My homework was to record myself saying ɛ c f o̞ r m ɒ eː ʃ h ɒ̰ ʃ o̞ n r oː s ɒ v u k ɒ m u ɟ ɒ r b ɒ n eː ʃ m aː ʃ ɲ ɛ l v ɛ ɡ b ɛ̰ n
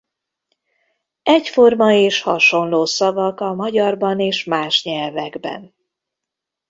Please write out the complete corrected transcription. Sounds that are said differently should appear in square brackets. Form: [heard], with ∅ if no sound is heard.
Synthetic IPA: ɛ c f o̞ r m ɒ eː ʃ h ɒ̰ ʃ o̞ n [l] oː s ɒ v [ɒ] k ɒ m [ɒ] ɟ ɒ r b ɒ n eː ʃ m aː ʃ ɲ ɛ l v ɛ ɡ b ɛ̰ n